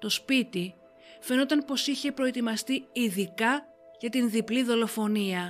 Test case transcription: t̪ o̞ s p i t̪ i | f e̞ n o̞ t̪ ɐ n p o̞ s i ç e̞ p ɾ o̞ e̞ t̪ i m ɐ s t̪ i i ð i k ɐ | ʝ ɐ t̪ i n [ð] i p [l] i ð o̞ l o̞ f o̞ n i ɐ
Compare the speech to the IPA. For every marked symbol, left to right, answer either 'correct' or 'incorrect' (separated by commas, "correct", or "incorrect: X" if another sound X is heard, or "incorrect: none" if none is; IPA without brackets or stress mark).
correct, correct